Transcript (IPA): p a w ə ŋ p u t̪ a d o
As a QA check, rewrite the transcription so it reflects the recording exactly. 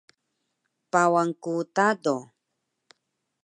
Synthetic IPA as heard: p a w a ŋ k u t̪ a d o

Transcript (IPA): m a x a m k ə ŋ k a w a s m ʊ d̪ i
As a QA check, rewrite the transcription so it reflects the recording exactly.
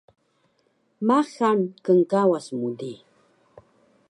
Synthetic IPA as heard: m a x a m k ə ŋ k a w a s m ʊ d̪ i

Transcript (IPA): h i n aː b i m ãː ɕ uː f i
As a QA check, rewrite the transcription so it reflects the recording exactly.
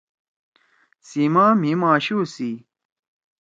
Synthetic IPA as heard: s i m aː m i m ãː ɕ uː s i

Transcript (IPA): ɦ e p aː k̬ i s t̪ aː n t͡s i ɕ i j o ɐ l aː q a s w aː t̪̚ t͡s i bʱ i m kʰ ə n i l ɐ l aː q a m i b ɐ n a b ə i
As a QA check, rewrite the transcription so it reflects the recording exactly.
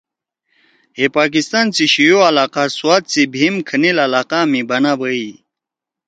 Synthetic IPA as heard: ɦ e p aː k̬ i s t̪ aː n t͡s i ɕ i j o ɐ l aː q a s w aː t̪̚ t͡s i bʱ i m kʰ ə n i l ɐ l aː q a m i b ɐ n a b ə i

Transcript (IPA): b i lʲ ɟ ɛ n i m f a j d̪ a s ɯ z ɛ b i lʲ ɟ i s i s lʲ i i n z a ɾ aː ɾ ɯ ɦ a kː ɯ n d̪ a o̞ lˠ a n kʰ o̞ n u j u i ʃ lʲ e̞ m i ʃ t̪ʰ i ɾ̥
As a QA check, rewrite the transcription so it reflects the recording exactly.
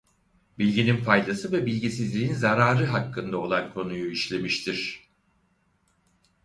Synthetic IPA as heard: b i lʲ ɟ i n i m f a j d̪ a s ɯ v ɛ b i lʲ ɟ i s i z lʲ i i n z a ɾ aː ɾ ɯ ɦ a kː ɯ n d̪ a o̞ lˠ a n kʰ o̞ n u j u i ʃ lʲ e̞ m i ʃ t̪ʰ i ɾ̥

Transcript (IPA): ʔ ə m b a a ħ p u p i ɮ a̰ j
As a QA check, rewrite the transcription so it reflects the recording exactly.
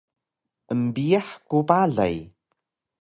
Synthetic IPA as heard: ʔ ə m b i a ħ k u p a ɮ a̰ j

